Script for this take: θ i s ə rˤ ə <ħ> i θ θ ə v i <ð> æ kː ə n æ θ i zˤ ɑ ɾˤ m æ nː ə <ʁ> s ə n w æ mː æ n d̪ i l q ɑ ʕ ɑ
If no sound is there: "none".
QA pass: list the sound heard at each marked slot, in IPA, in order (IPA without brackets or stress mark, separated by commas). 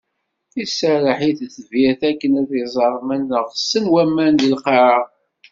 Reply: ħ, θ, ʁ